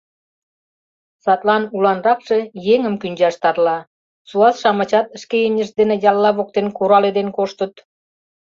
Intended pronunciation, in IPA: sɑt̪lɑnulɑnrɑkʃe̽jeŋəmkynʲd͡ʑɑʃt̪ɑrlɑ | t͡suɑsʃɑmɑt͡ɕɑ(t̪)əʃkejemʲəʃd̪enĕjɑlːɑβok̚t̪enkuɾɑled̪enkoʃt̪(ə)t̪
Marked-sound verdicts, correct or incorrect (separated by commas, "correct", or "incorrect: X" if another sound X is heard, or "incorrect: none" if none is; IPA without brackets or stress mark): correct, correct